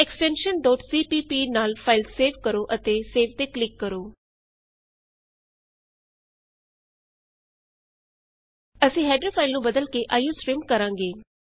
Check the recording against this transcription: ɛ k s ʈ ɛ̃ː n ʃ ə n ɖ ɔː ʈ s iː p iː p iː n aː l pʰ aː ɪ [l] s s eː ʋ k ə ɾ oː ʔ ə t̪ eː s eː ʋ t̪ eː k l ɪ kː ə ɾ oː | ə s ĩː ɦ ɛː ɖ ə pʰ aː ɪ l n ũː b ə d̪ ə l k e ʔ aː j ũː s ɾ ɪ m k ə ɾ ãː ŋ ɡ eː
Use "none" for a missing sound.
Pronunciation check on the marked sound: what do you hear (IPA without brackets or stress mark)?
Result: l